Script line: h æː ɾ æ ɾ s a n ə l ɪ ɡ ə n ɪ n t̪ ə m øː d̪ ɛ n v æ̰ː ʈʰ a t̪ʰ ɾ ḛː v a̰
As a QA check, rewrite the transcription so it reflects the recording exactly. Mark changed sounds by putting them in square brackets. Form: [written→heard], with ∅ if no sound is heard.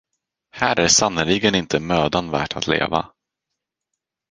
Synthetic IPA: h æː ɾ æ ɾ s a n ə l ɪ ɡ ə n ɪ n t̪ ə m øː d̪ [ɛ→a] n v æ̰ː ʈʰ a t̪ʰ [ɾ→l] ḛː v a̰